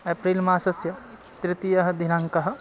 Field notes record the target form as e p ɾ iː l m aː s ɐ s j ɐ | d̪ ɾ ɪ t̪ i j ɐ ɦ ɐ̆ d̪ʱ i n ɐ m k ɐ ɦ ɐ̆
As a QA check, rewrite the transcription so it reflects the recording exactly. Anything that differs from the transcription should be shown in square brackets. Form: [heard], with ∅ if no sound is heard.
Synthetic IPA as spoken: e p ɾ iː l m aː s ɐ s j ɐ | [t̪] ɾ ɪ t̪ i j ɐ ɦ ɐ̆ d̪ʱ i n ɐ [ŋ] k ɐ ɦ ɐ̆

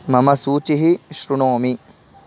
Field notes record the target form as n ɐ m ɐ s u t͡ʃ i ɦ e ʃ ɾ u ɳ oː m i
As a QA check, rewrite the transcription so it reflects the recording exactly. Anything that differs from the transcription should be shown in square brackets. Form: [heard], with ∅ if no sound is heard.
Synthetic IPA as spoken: [m] ɐ m ɐ s [uː] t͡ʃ i ɦ [i] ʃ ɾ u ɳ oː m i

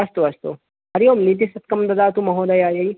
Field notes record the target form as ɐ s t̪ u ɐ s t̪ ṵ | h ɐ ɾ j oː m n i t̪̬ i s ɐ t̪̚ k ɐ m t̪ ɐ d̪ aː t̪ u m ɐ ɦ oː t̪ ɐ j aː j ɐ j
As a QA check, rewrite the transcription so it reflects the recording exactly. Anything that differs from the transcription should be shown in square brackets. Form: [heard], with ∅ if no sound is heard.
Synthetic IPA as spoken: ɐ s t̪ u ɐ s t̪ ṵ | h ɐ ɾ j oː m n i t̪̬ i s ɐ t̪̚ k ɐ m [d̪] ɐ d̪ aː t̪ u m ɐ ɦ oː [d̪] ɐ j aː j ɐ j

